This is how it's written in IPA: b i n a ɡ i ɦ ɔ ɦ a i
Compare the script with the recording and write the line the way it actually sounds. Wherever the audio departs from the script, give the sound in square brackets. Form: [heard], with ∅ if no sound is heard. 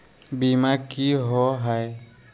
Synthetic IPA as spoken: b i [m] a [k] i ɦ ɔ ɦ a [j]